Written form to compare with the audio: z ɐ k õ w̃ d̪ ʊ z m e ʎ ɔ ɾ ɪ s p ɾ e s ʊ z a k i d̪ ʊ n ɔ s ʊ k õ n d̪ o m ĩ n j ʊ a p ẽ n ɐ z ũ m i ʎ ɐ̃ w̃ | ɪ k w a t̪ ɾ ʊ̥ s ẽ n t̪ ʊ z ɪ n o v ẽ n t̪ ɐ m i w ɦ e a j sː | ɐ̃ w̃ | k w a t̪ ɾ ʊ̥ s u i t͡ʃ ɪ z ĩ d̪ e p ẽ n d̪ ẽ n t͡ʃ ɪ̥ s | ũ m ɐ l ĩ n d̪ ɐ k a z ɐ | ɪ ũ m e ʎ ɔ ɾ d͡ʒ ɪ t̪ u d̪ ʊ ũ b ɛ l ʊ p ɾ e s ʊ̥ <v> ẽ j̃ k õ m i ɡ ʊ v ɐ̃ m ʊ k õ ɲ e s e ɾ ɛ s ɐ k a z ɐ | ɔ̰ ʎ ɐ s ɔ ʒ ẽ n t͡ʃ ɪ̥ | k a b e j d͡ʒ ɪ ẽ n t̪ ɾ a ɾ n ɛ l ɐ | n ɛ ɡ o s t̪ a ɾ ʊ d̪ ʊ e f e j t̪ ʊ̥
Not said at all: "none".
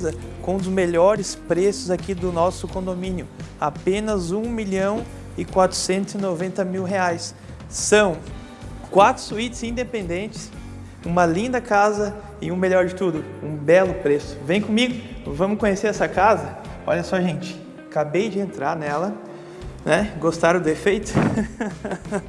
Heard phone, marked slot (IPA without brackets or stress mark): v